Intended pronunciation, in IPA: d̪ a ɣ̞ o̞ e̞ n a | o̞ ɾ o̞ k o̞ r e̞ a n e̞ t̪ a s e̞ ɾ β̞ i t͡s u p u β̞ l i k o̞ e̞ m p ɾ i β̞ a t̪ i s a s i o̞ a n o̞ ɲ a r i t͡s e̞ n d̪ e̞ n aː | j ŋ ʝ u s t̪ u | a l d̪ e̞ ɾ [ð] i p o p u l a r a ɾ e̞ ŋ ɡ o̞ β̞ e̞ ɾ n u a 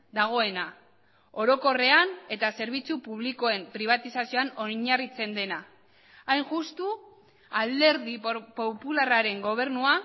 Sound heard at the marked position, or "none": ð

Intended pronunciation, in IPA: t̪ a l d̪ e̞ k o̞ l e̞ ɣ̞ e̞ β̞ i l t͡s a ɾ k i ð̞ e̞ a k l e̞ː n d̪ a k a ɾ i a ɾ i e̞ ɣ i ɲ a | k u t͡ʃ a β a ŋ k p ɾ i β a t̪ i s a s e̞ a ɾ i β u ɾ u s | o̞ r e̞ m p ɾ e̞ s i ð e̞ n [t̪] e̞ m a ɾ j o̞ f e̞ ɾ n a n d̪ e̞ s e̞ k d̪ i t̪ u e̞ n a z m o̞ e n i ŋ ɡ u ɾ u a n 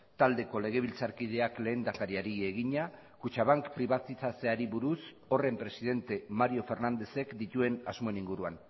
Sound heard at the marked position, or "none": t̪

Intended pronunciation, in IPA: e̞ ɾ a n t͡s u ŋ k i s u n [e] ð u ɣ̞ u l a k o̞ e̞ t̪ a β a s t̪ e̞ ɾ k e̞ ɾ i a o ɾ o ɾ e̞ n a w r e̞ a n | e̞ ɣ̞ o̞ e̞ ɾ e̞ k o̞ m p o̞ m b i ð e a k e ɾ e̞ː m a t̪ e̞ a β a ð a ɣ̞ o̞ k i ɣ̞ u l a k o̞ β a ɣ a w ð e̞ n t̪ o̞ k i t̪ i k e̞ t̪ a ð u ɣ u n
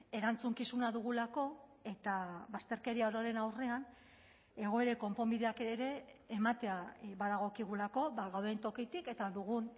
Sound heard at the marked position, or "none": a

